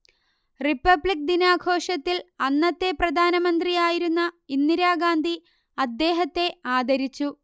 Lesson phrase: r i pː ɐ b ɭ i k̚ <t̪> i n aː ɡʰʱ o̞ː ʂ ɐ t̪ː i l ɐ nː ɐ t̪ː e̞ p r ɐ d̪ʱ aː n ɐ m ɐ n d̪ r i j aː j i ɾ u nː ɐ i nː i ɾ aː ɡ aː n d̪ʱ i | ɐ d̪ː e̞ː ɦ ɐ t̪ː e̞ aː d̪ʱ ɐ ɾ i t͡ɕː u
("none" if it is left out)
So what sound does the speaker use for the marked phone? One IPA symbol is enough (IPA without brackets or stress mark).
d̪